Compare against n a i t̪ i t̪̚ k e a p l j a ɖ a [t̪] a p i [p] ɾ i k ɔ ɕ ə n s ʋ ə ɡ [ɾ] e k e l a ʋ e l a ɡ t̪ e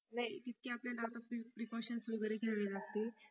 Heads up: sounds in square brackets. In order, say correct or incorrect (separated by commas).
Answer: correct, correct, correct